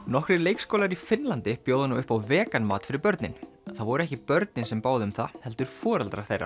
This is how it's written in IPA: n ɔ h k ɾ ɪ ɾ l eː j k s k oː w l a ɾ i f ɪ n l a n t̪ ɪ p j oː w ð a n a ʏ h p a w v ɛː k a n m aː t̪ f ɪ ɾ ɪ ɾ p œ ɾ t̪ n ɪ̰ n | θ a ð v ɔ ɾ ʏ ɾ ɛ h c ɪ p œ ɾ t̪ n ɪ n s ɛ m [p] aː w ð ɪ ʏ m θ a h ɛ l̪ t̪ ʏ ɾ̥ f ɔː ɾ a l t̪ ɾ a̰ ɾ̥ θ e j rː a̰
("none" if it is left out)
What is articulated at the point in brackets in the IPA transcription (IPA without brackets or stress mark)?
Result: p